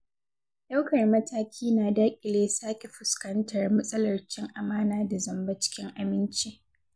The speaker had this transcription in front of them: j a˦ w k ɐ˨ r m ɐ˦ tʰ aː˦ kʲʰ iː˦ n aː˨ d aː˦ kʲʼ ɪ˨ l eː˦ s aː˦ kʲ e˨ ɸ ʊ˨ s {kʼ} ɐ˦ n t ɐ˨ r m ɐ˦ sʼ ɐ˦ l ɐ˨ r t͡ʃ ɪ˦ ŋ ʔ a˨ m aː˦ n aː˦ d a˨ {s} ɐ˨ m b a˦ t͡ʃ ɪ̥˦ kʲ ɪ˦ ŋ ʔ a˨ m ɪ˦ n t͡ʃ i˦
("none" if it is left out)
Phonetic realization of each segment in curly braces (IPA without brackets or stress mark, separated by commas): k, z